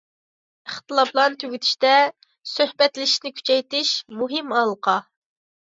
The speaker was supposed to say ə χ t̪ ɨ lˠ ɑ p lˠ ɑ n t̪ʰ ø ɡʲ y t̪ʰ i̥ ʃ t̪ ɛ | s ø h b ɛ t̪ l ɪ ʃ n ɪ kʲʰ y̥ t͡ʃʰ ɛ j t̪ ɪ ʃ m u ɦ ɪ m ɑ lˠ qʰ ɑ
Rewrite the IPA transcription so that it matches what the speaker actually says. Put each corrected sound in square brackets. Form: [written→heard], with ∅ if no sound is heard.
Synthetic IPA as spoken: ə χ t̪ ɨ lˠ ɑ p lˠ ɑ n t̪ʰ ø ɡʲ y t̪ʰ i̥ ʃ t̪ ɛ | s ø h b ɛ t̪ l ɪ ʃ n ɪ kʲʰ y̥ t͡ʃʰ ɛ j t̪ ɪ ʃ m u ɦ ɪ m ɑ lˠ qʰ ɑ